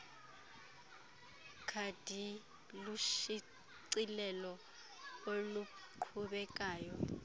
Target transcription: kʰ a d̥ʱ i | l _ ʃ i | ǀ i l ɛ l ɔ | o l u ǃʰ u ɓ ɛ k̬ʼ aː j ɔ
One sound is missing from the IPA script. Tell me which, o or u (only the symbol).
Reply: u